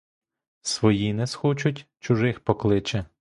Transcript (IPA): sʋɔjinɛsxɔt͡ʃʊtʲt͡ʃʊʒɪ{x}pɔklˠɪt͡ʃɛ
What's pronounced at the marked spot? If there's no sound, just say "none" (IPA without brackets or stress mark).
x